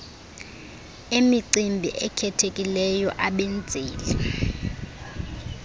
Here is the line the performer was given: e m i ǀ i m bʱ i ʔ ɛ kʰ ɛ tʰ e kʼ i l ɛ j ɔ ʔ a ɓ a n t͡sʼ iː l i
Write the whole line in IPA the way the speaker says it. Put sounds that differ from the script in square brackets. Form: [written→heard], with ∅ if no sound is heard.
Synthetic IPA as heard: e m i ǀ i m bʱ i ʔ ɛ kʰ ɛ tʰ e kʼ i l ɛ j ɔ ʔ a ɓ [a→e] n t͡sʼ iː l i